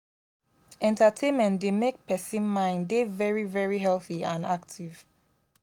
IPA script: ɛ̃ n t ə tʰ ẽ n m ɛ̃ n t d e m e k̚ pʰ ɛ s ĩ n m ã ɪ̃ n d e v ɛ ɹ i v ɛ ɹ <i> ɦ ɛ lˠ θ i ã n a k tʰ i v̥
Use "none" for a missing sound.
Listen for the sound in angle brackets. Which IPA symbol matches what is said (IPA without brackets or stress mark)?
i